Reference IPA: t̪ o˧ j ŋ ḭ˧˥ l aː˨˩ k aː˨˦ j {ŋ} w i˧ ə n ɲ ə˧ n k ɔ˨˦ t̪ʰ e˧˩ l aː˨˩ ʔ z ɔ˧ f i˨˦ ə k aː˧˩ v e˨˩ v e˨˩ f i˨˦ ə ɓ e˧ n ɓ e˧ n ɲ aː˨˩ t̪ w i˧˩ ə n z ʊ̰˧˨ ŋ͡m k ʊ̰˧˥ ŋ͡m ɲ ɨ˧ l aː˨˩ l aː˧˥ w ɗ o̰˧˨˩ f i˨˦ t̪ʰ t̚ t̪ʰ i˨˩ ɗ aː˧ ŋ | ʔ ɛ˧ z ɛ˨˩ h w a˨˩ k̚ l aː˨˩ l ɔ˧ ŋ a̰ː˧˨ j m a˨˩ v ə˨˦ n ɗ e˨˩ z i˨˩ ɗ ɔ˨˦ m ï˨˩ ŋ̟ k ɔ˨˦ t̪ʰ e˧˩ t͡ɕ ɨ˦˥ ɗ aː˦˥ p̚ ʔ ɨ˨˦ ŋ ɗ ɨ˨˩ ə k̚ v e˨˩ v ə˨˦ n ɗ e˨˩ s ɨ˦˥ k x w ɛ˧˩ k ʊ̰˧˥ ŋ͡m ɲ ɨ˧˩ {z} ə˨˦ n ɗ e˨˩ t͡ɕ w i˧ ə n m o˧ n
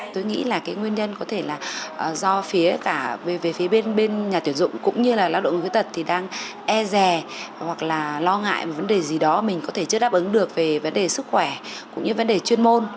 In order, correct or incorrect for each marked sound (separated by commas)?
correct, incorrect